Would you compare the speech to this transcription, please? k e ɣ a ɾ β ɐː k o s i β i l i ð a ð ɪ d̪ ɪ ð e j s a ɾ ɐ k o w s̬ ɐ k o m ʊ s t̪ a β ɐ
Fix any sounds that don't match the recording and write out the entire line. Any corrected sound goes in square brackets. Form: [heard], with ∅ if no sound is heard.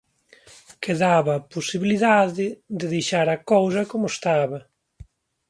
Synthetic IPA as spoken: k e [ð] a [∅] β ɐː [p] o s i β i l i ð a ð ɪ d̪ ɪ ð e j [ʃ] a ɾ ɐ k o w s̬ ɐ k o m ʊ s t̪ a β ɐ